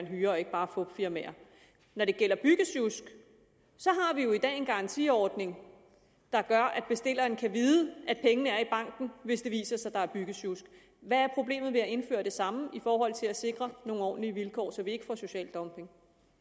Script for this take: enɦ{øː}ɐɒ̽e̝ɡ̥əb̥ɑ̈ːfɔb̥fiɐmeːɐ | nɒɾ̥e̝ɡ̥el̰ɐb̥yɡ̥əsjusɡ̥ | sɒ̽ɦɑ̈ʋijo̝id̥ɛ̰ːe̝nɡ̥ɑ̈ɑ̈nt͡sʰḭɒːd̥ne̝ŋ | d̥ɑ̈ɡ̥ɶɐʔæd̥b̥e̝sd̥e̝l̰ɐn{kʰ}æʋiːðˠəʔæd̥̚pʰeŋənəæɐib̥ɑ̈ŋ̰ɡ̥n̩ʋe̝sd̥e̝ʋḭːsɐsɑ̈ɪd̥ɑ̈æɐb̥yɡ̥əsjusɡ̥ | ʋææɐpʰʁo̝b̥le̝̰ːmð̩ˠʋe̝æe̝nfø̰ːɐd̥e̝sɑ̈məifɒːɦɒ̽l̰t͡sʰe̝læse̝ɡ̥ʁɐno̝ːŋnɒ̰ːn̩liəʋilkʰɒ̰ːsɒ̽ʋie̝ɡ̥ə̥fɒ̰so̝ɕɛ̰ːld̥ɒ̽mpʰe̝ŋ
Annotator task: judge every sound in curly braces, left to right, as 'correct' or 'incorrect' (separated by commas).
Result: incorrect, correct